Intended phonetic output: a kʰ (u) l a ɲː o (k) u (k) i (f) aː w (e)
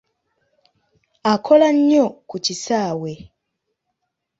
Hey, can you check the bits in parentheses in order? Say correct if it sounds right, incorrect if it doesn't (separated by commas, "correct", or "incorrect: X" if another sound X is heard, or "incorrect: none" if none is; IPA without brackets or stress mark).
incorrect: o, correct, incorrect: c, incorrect: s, correct